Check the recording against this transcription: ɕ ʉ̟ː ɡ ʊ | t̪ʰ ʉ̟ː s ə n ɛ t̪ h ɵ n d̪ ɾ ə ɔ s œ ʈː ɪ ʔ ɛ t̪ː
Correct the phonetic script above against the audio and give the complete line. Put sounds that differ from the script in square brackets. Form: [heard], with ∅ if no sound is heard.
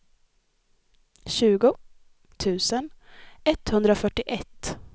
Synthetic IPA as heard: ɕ ʉ̟ː ɡ ʊ | t̪ʰ ʉ̟ː s ə n ɛ t̪ h ɵ n d̪ ɾ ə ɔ [f] œ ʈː ɪ ʔ ɛ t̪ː